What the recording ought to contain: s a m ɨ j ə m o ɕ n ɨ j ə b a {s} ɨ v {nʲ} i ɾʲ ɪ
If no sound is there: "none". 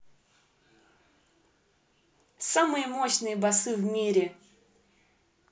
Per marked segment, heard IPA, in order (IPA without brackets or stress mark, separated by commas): s, mʲ